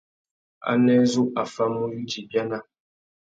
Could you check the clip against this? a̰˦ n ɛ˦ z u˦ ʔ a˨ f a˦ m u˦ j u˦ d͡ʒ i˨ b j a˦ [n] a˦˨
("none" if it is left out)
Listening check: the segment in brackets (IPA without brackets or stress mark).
n